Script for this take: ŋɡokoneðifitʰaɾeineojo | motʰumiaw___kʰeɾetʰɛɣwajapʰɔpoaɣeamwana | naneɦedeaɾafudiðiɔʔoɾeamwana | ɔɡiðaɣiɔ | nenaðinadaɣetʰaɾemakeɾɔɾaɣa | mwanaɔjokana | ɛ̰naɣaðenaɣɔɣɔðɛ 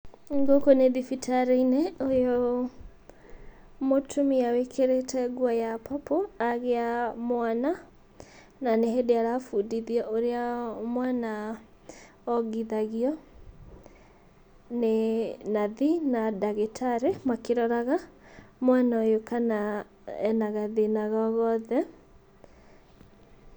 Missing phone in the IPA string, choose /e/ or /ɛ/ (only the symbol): e